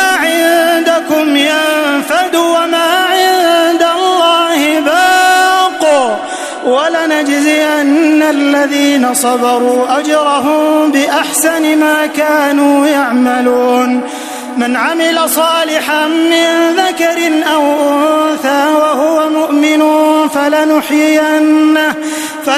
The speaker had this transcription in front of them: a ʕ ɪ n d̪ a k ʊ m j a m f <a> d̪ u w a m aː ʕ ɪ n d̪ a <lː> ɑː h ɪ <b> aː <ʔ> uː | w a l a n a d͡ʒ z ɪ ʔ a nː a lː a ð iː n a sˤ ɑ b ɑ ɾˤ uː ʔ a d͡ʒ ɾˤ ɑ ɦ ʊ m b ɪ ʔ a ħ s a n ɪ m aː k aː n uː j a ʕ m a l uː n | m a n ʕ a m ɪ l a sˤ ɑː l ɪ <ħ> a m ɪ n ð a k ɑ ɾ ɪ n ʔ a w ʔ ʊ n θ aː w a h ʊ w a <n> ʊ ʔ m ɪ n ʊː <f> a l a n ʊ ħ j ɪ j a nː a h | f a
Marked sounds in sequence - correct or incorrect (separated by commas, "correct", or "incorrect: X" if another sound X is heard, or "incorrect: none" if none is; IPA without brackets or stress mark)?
correct, correct, correct, incorrect: q, correct, incorrect: m, correct